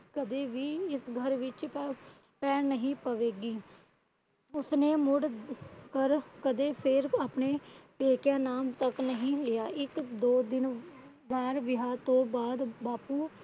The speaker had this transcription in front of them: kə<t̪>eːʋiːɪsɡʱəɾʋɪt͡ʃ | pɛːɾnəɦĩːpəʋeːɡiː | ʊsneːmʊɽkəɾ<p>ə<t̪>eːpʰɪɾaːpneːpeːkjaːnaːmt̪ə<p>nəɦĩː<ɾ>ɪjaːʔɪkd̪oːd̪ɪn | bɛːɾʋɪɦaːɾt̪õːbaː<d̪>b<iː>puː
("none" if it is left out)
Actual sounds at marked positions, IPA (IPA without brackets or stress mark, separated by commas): d̪, k, d̪, k, l, d̪, aː